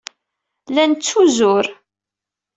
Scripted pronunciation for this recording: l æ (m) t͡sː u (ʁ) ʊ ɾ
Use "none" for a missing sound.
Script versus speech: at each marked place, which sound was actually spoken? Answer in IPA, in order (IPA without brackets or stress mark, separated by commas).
n, z